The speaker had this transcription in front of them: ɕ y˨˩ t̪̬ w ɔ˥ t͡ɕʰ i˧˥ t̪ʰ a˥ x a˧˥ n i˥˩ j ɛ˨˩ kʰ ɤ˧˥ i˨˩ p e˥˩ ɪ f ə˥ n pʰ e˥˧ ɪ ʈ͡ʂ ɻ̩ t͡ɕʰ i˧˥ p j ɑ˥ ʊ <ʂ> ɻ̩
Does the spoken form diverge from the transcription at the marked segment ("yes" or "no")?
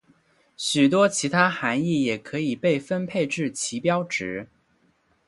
yes